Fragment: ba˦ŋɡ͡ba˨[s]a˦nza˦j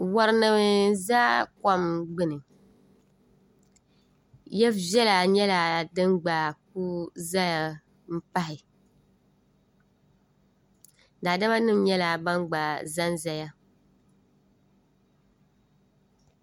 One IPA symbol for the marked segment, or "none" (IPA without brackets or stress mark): z